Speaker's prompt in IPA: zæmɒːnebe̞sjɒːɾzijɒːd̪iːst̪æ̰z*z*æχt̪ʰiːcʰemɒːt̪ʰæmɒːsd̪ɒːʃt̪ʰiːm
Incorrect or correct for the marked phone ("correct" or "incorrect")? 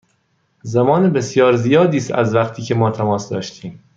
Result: incorrect